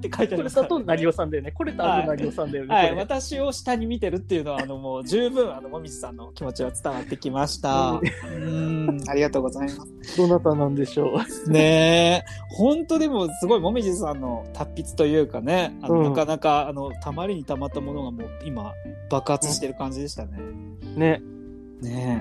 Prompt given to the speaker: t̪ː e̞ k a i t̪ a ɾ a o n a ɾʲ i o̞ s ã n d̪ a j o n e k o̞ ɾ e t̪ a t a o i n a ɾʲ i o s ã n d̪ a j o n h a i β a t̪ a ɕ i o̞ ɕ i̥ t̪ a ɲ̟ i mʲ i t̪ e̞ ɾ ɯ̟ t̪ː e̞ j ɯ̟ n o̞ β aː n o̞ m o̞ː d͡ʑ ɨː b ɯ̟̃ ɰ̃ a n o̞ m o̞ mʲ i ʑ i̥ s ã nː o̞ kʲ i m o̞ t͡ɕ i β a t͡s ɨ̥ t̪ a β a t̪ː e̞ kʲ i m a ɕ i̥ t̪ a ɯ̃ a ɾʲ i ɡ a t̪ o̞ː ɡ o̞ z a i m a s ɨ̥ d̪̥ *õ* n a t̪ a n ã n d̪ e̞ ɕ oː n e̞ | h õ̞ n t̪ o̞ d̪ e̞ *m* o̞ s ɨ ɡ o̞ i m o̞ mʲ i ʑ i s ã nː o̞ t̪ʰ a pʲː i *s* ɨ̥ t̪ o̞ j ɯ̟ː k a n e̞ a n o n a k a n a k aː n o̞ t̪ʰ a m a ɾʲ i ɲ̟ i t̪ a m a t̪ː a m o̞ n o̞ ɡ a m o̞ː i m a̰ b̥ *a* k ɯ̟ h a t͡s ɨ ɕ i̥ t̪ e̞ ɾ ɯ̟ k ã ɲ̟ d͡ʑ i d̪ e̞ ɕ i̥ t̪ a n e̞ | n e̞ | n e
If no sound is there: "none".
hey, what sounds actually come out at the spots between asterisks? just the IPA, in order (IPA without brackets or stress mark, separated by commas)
o, m, t͡s, a